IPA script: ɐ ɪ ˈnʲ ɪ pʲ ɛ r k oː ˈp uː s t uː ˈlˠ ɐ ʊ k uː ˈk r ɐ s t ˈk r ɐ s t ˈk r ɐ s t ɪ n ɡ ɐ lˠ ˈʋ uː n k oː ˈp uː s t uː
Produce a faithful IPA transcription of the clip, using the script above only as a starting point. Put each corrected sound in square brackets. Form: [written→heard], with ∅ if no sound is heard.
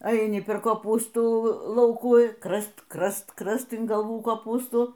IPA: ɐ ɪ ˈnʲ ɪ pʲ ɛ r k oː ˈp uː s t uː ˈlˠ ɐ ʊ k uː ˈk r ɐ s t ˈk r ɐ s t ˈk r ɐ s t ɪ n ɡ ɐ lˠ ˈʋ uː [n→∅] k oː ˈp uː s t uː

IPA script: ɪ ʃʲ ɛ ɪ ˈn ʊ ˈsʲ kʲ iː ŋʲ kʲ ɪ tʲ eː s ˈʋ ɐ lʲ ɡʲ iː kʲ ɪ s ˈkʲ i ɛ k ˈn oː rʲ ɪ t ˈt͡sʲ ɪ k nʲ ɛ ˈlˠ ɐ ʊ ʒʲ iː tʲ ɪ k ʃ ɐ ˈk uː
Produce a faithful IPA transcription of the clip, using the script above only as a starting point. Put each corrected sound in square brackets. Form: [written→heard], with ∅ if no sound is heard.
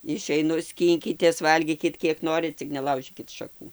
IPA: ɪ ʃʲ ɛ ɪ ˈn ʊ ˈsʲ kʲ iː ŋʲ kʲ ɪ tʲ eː s ˈʋ ɐ lʲ ɡʲ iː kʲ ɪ [s→t] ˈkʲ i ɛ k ˈn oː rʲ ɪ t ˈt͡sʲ ɪ k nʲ ɛ ˈlˠ ɐ ʊ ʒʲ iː [tʲ→kʲ] ɪ [k→t] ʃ ɐ ˈk uː

